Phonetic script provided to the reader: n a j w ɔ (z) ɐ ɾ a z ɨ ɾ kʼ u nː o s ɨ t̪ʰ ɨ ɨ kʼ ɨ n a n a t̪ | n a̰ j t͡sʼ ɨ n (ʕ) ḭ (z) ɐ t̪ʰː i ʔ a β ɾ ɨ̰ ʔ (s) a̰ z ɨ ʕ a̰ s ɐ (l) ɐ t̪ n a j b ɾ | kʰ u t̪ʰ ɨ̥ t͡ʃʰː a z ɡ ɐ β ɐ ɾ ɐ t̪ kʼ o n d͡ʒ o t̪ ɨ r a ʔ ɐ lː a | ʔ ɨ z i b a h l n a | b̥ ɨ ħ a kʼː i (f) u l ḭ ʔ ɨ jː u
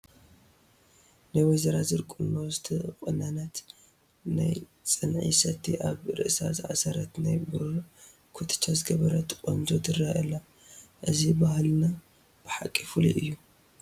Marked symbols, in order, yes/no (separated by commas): yes, yes, no, yes, no, yes